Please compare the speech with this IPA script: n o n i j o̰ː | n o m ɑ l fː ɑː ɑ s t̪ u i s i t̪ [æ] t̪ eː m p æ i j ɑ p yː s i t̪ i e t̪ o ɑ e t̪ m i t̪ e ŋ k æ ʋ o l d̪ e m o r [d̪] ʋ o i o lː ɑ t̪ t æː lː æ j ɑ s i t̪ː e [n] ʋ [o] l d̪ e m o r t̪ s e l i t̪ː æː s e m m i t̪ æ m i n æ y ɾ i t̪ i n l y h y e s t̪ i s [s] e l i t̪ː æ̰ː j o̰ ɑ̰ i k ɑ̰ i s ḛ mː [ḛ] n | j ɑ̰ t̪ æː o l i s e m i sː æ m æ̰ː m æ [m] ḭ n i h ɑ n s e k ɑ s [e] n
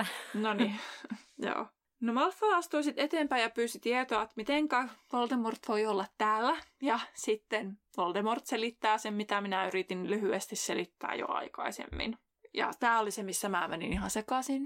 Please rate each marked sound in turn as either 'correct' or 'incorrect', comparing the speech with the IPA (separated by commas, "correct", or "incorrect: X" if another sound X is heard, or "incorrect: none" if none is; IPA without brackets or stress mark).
incorrect: e, incorrect: t̪, correct, correct, correct, incorrect: ḭ, incorrect: n, incorrect: i